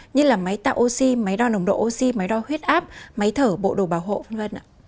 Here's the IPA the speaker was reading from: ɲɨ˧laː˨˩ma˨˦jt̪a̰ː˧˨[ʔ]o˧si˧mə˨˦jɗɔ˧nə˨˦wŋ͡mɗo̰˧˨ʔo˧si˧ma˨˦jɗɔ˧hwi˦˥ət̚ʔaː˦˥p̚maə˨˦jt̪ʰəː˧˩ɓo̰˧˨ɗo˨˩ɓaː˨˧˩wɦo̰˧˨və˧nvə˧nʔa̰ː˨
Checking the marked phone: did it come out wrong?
no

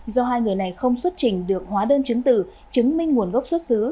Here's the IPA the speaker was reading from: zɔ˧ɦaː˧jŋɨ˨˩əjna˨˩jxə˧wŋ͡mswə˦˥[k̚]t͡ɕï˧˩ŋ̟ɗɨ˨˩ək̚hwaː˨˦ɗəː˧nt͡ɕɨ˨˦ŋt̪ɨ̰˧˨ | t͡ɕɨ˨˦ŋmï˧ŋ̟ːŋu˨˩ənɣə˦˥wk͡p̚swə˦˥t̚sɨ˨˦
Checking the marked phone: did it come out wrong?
yes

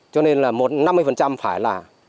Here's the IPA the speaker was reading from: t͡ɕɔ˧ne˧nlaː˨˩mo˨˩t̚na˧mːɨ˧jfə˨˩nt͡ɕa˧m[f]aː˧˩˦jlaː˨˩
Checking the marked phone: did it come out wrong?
no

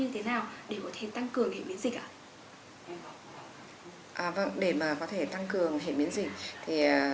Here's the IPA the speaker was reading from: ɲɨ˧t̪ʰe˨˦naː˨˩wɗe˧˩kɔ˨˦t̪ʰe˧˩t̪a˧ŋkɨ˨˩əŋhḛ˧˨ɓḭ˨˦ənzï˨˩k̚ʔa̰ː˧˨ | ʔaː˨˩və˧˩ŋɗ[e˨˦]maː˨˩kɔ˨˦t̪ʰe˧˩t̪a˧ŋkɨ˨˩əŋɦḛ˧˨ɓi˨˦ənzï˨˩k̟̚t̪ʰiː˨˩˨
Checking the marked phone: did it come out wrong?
yes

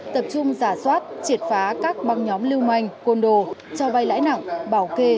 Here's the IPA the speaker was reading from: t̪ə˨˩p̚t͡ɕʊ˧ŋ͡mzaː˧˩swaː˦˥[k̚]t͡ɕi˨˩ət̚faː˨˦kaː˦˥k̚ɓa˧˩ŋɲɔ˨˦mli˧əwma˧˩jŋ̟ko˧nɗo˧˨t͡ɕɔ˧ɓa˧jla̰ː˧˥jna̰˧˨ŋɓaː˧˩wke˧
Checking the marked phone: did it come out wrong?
yes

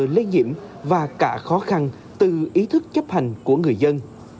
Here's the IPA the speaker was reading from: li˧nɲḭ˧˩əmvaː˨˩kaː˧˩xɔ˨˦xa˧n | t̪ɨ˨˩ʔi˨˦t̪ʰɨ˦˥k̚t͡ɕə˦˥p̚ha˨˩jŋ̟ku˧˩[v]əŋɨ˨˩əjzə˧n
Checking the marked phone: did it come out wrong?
yes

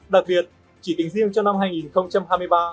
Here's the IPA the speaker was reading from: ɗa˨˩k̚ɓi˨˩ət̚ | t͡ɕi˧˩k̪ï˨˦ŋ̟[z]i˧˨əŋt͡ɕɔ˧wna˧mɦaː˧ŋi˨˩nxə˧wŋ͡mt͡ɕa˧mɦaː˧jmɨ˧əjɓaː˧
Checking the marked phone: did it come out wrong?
no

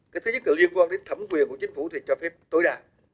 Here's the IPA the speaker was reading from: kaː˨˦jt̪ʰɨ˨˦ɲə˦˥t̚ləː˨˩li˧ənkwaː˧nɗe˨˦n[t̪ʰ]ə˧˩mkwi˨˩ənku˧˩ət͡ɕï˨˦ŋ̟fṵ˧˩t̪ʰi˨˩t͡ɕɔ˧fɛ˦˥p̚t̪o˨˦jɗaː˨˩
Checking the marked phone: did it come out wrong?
no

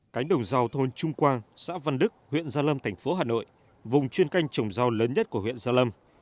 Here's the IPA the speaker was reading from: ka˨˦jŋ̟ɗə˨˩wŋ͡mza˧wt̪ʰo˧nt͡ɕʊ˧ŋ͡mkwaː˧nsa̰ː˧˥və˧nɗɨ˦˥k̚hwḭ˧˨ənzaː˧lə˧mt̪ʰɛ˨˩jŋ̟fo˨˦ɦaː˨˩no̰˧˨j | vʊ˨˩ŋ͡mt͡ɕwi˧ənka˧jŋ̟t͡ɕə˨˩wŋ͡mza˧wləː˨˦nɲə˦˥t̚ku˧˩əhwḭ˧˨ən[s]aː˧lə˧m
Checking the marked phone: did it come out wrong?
yes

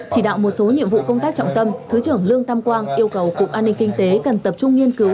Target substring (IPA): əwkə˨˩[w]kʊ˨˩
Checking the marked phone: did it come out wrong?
no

